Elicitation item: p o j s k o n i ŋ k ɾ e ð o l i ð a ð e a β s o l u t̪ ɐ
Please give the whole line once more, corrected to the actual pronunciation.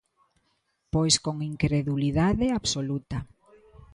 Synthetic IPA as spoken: p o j s k o ŋ i ŋ k ɾ e ð u l i ð a ð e a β s o l u t̪ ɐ